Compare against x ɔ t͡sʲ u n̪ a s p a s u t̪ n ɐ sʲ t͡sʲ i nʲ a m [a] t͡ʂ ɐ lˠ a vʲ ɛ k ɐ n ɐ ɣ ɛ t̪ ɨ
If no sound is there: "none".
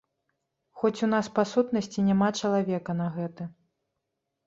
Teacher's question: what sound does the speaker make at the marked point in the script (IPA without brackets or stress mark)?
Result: a